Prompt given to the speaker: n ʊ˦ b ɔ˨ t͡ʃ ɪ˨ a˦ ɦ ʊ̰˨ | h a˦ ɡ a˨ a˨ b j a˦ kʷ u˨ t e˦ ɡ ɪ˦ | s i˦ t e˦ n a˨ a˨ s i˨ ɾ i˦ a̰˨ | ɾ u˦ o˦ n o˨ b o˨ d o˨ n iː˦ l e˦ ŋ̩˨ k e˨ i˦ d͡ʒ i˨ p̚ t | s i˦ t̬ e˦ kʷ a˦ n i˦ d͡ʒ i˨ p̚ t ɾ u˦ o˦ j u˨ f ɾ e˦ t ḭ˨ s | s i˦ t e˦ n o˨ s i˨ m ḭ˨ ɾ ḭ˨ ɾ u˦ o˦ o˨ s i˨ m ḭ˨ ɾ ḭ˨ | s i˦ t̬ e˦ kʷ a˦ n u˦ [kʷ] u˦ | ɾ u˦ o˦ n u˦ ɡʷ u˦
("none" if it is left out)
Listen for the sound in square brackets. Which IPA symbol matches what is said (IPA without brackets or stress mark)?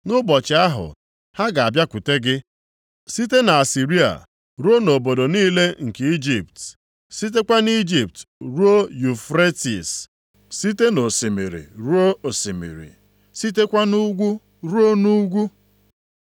ɡʷ